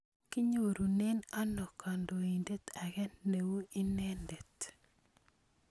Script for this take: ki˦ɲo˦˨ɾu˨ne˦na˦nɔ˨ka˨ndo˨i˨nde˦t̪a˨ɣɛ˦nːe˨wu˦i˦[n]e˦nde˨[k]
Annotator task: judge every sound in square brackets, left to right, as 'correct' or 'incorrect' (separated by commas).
correct, incorrect